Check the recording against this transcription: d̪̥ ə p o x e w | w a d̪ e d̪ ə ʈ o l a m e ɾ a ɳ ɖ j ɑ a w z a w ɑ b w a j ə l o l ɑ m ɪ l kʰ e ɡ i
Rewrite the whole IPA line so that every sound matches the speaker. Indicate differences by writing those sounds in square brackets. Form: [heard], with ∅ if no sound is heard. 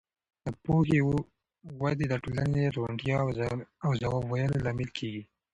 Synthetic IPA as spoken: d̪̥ ə p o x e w | w a d̪ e d̪ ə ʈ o l a [n] e ɾ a ɳ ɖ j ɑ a w z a w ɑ b w a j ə l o l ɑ m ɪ l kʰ e ɡ i

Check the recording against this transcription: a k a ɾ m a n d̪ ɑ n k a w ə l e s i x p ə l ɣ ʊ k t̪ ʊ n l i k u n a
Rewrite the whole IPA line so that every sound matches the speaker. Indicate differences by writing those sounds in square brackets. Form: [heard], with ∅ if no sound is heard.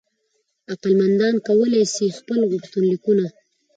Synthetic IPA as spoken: a [q] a [l] m a n d̪ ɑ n k a w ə l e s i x p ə l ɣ ʊ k t̪ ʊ n l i k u n a

